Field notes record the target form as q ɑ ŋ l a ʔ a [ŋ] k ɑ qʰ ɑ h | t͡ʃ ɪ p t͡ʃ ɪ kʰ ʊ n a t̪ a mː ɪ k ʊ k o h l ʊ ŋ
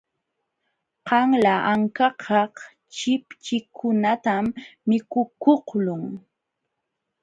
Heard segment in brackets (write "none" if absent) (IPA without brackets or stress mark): ŋ